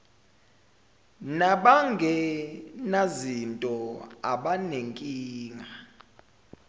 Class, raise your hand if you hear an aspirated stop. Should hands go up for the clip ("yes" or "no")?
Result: no